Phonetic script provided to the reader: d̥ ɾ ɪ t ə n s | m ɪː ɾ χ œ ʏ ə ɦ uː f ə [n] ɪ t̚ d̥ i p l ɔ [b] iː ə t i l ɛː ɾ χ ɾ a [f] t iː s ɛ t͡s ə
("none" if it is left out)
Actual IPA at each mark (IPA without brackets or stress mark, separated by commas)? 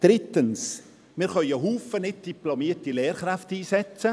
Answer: n, m, f